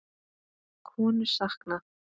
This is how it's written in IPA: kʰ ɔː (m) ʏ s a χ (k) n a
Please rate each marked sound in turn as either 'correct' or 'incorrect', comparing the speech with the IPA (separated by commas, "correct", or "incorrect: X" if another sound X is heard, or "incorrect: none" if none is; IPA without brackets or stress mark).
incorrect: n, correct